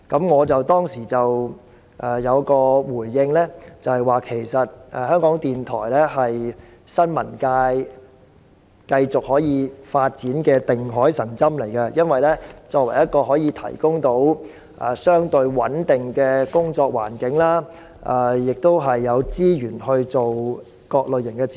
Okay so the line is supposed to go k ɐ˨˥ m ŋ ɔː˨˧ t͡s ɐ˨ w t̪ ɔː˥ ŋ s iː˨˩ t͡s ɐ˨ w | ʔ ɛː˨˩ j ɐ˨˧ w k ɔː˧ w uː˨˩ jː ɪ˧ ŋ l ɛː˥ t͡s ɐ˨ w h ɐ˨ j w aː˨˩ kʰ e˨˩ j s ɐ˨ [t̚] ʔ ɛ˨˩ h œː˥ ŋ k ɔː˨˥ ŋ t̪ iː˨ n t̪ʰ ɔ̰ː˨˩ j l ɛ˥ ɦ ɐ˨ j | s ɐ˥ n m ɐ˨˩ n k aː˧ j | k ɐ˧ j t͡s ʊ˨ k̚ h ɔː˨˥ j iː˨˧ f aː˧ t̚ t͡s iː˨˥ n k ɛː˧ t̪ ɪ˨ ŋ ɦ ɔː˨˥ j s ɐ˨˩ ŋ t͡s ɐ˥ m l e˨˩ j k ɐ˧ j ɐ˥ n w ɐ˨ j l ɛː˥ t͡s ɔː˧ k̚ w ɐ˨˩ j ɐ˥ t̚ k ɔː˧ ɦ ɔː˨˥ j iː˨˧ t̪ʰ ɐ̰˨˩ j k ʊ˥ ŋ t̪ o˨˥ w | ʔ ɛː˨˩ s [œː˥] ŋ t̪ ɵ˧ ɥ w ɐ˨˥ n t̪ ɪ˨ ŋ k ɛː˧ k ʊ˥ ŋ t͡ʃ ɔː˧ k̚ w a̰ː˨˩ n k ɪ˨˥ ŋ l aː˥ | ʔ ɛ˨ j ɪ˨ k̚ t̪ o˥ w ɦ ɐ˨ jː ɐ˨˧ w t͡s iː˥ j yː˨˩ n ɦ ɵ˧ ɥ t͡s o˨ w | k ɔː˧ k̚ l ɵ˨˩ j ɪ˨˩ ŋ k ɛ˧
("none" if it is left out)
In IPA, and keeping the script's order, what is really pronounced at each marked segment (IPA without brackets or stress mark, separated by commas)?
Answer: t̚, œː˥